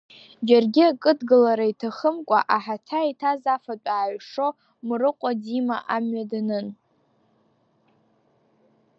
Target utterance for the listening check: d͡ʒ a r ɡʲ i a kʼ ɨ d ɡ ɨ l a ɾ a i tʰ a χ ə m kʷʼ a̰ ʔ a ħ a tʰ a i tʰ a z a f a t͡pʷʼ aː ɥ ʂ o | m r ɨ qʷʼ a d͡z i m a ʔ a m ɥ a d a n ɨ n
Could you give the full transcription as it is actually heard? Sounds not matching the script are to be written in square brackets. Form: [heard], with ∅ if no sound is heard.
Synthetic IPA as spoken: d͡ʒ a r ɡʲ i a kʼ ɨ d ɡ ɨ l a ɾ a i tʰ a χ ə m kʷʼ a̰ ʔ a ħ a tʰ a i tʰ a z a f a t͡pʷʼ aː ɥ ʂ o | m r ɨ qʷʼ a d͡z i m a ʔ a m ɥ a d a n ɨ n